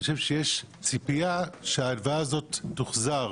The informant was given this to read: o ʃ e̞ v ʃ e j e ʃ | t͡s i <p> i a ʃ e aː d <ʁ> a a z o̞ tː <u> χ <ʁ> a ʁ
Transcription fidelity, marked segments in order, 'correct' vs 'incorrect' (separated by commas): correct, incorrect, correct, incorrect